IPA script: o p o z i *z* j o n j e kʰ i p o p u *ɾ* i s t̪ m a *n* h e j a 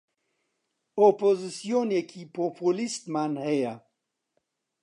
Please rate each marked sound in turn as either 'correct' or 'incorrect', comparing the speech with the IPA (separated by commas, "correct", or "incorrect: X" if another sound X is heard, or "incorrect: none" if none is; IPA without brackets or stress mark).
incorrect: s, incorrect: l, correct